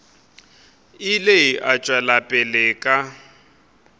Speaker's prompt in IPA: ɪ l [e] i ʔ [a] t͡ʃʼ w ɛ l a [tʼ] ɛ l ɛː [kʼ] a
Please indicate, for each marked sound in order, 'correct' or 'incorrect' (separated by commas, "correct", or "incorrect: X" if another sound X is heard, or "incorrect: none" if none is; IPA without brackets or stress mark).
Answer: correct, correct, incorrect: pʼ, correct